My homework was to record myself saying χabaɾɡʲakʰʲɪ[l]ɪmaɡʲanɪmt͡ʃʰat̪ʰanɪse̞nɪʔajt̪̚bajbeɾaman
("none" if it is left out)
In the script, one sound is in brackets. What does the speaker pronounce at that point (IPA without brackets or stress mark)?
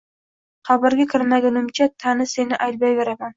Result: ɾ